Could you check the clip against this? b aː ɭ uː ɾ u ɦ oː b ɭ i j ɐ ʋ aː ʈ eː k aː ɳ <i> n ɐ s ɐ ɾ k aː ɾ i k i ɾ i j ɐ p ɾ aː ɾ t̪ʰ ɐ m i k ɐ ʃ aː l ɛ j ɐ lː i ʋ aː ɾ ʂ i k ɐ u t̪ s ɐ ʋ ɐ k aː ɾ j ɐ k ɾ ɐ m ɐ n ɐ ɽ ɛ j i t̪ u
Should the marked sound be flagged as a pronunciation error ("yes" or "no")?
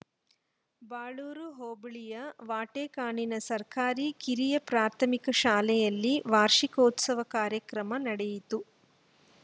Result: no